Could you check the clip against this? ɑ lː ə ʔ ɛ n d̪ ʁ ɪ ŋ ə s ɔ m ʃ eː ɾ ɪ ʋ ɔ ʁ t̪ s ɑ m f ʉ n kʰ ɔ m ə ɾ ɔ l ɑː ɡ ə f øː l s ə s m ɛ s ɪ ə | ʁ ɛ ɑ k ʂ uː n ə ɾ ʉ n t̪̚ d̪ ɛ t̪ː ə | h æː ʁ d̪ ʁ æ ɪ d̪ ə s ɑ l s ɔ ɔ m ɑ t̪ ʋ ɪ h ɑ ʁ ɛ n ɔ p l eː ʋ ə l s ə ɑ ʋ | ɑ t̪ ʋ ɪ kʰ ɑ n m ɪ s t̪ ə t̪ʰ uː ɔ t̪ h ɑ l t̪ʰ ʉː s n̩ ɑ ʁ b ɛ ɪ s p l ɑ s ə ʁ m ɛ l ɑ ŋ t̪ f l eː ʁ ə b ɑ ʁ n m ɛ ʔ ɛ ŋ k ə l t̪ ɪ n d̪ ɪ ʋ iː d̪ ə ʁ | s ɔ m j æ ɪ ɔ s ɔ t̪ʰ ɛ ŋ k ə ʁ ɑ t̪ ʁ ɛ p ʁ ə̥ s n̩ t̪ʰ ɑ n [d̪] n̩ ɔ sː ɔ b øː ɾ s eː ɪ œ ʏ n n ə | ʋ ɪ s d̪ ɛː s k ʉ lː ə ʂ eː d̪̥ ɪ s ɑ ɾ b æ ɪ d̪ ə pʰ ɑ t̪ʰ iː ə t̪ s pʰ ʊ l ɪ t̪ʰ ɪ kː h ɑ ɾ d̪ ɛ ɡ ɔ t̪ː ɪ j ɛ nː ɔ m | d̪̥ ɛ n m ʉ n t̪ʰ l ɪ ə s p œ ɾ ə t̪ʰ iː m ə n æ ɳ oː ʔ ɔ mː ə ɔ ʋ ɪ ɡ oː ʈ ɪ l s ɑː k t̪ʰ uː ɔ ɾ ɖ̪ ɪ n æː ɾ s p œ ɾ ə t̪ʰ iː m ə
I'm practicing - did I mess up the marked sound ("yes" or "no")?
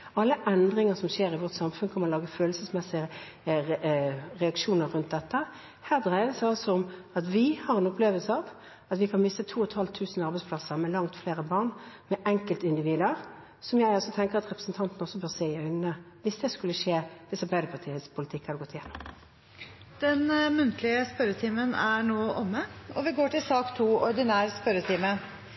yes